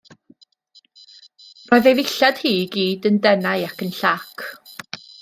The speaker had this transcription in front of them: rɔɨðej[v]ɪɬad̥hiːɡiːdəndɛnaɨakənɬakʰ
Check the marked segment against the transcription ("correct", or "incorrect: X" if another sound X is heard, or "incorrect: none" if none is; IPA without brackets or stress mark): correct